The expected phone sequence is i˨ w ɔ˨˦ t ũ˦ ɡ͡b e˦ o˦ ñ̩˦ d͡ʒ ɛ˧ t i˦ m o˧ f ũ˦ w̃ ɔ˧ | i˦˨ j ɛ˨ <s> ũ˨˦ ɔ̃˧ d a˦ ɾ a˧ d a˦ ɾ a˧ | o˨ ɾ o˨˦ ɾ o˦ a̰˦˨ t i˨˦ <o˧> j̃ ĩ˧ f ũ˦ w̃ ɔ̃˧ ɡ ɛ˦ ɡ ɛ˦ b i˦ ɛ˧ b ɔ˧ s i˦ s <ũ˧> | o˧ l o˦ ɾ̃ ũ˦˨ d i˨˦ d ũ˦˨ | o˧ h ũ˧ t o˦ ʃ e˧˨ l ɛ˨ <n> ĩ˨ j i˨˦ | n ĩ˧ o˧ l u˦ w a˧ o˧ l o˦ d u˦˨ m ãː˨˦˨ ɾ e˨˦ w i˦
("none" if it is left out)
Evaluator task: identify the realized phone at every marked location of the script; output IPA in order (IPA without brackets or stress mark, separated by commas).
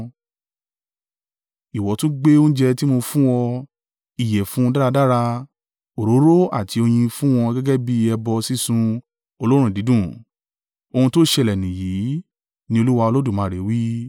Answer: f, o˧, ũ˧, n